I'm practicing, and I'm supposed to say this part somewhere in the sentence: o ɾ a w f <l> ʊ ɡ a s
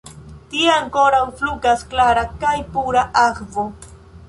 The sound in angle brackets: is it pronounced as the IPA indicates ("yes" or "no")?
yes